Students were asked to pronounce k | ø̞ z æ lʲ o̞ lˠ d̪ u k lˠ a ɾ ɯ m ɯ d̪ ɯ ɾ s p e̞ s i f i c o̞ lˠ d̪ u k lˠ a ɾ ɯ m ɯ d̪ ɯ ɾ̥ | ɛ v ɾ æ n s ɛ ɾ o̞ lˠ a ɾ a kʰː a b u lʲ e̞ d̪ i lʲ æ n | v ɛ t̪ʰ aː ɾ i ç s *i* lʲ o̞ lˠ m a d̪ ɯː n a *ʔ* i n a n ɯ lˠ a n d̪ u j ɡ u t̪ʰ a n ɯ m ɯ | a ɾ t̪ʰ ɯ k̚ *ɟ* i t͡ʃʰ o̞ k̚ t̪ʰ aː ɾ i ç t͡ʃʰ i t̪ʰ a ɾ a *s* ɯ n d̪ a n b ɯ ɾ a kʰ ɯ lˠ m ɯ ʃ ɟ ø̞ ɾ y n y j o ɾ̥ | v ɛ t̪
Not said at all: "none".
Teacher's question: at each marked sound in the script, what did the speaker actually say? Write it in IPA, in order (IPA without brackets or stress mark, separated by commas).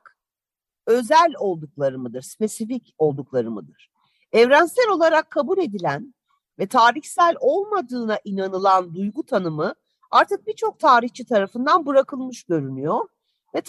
æ, ʔ, b, f